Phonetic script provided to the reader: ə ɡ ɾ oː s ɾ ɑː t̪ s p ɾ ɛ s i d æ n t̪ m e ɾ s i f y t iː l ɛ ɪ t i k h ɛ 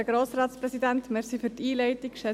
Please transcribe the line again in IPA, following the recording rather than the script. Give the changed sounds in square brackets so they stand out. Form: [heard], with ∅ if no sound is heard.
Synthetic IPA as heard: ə ɡ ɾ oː s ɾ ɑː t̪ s p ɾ ɛ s i d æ n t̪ m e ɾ s i f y t iː l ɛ ɪ t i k [ʃ] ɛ